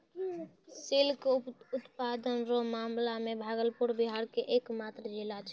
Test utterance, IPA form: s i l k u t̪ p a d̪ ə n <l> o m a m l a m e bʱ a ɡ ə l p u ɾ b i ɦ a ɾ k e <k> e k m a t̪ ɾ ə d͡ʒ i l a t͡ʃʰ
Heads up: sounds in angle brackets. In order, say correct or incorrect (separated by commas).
incorrect, incorrect